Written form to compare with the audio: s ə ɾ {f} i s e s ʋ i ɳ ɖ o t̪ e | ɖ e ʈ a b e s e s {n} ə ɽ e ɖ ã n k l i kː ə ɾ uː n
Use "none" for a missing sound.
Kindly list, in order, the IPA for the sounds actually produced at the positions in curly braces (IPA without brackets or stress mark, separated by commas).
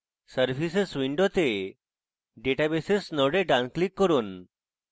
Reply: f, n